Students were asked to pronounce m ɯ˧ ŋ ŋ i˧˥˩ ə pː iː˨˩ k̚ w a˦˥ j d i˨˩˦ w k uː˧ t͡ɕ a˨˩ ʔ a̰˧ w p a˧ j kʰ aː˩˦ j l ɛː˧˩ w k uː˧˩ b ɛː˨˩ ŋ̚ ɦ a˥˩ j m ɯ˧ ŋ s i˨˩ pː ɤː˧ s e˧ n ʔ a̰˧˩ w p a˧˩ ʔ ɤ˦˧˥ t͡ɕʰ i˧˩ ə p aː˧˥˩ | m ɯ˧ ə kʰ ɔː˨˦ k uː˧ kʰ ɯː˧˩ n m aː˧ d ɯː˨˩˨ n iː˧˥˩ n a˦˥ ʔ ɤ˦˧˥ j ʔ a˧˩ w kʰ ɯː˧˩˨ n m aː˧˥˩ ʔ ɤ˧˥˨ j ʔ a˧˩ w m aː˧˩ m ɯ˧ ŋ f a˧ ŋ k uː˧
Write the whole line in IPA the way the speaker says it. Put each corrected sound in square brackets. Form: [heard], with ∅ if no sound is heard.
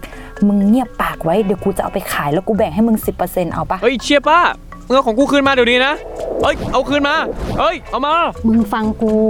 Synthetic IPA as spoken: m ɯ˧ ŋ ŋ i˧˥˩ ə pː [aː˨˩] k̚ w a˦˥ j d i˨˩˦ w k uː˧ t͡ɕ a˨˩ ʔ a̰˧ w p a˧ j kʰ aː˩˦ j l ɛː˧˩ w k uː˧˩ b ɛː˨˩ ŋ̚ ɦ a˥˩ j m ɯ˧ ŋ s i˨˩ pː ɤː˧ s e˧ n ʔ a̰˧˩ w p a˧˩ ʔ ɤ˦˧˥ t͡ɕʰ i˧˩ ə p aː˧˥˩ | m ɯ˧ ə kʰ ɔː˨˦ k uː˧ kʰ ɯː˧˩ n m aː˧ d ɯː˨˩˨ n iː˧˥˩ n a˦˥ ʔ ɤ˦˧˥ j ʔ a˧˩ w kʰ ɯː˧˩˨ n m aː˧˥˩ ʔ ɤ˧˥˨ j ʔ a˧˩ w m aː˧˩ m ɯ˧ ŋ f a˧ ŋ k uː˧